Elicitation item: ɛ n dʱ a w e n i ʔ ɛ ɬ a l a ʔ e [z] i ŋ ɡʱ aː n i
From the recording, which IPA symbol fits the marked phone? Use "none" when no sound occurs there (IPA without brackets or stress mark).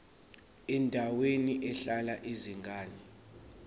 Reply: z